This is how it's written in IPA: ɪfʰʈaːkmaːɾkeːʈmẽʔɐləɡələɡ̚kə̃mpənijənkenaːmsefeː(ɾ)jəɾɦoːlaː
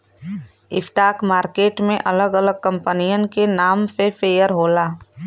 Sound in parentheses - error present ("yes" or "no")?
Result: yes